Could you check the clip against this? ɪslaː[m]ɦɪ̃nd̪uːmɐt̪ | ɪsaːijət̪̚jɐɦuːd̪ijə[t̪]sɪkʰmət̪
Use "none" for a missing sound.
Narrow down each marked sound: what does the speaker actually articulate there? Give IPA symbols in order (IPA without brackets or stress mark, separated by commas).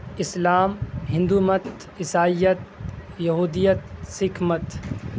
m, t̪